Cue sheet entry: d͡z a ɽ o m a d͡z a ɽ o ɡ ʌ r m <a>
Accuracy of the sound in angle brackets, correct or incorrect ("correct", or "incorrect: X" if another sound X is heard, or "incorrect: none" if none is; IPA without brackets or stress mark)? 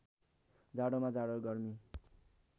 incorrect: i